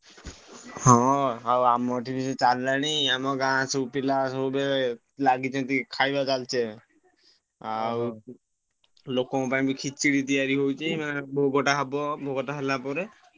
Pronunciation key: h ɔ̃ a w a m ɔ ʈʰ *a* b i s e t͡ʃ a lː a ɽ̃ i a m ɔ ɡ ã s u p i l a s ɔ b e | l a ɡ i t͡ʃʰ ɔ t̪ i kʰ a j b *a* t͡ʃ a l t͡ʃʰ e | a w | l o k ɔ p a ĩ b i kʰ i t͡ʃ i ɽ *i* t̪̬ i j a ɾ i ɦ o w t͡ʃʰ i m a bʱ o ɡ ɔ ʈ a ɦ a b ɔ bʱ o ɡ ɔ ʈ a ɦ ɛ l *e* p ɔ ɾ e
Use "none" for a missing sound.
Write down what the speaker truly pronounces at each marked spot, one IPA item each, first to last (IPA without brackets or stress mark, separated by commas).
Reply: i, a, i, a